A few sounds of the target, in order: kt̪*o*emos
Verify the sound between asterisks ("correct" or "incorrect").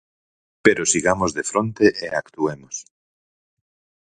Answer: incorrect